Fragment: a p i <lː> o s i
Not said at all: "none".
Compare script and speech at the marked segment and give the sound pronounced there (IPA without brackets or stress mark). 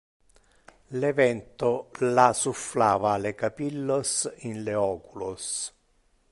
lː